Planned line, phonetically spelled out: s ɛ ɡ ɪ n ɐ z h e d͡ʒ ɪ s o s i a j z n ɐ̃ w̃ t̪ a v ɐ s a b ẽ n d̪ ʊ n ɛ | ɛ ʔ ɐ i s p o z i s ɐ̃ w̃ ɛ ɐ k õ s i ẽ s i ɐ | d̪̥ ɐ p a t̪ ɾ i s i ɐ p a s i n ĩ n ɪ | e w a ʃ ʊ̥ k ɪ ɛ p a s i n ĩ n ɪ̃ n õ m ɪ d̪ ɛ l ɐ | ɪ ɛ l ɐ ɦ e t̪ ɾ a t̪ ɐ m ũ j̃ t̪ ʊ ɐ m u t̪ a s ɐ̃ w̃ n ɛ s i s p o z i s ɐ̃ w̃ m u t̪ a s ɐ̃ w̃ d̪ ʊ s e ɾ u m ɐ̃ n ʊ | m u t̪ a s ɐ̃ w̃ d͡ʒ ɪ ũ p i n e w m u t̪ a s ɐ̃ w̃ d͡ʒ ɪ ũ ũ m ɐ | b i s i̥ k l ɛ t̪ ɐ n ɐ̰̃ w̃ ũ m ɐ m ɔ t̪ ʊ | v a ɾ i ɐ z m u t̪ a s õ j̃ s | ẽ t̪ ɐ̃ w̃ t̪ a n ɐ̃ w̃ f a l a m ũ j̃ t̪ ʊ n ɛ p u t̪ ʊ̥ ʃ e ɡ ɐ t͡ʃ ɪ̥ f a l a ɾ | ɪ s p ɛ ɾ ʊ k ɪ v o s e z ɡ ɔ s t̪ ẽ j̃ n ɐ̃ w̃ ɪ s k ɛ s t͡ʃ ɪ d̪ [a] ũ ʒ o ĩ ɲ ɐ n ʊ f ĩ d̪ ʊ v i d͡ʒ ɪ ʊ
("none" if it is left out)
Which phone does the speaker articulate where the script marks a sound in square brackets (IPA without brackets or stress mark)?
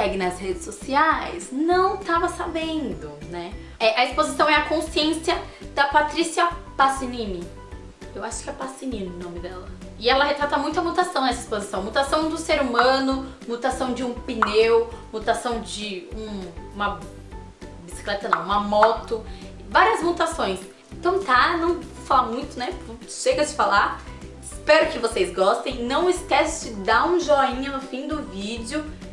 a